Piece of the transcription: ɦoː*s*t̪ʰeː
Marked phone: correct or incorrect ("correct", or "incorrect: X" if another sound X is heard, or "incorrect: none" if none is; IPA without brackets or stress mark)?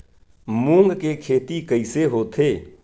incorrect: none